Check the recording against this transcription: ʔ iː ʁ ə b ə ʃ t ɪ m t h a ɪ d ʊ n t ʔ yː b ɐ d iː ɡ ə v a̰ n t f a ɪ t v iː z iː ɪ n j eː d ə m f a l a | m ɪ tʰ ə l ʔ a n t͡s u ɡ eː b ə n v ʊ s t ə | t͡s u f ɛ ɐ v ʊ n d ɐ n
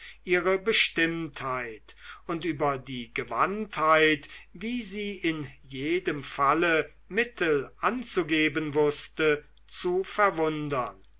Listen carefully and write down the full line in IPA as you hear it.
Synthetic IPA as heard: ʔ iː ʁ ə b ə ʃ t ɪ m t h a ɪ t ʊ n t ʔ yː b ɐ d iː ɡ ə v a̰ n t h a ɪ t v iː z iː ɪ n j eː d ə m f a l ə | m ɪ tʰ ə l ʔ a n t͡s u ɡ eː b ə n v ʊ s t ə | t͡s u f ɛ ɐ v ʊ n d ɐ n